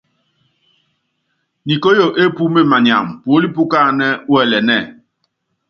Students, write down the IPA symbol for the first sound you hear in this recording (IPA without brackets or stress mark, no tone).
n